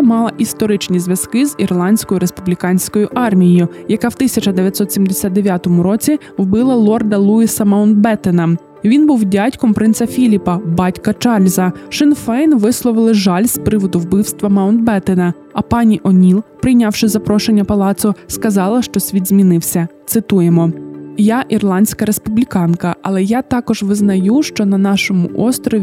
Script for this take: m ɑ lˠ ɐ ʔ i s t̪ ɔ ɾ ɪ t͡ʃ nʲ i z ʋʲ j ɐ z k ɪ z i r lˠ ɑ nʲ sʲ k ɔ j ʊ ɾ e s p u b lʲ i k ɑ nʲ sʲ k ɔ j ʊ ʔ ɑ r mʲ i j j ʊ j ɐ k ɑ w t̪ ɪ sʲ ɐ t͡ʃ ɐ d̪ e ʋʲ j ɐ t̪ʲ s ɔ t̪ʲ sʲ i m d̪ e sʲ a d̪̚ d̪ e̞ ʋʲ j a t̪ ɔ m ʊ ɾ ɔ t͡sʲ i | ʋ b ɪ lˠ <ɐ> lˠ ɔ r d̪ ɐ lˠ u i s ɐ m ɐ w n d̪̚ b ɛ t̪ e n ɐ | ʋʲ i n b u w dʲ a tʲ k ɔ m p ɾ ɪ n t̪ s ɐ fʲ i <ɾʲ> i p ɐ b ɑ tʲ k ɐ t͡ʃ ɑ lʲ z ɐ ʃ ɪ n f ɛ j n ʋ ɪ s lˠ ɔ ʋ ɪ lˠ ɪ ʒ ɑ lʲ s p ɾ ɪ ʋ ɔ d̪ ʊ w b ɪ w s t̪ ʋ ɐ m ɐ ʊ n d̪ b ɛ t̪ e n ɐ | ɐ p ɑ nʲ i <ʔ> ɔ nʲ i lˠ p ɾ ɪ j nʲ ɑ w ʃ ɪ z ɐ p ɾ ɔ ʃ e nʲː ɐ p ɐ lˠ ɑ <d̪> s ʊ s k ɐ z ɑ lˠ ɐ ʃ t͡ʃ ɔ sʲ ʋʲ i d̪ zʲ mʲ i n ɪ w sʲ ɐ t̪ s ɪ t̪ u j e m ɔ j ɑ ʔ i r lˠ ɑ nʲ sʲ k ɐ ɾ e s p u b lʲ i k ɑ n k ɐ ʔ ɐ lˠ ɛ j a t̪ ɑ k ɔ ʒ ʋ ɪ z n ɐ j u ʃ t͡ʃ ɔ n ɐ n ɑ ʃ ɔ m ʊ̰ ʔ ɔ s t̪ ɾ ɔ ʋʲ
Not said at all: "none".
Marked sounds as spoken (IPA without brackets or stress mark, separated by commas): ɐ, lʲ, ʔ, t̪